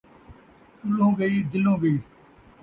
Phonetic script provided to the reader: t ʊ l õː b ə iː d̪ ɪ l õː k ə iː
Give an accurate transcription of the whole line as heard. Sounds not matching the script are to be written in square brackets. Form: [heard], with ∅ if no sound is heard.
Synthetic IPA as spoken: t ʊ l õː [ɡ] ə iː d̪ ɪ l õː [ɡ] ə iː